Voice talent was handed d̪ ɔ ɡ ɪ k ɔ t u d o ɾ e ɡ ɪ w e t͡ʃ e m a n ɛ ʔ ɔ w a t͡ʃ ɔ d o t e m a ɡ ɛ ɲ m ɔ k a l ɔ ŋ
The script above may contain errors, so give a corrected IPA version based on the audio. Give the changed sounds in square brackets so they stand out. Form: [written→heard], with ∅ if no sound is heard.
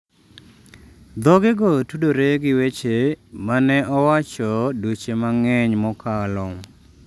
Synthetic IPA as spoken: d̪ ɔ ɡ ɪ [k→ɡ] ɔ t u d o ɾ e ɡ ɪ w e t͡ʃ e m a n ɛ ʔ ɔ w a t͡ʃ ɔ d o [t→t͡ʃ] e m a [ɡ→ŋ] ɛ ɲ m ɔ k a l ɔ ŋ